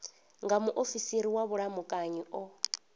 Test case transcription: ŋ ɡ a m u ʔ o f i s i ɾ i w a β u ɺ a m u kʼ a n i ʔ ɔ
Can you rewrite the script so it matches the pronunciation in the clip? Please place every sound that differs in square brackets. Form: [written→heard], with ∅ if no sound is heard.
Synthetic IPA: ŋ ɡ a m u ʔ o f i s i ɾ i w a β u ɺ a m u kʼ a [n→ɲ] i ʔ ɔ